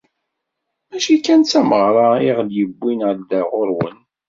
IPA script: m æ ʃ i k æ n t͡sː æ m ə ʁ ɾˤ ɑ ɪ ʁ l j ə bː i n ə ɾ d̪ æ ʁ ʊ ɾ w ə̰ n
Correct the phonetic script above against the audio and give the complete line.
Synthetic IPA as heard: m æ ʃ i k æ n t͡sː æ m ə ʁ ɾˤ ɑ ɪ ʁ l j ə bː i n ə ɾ d̪ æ ʁ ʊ ɾ w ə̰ n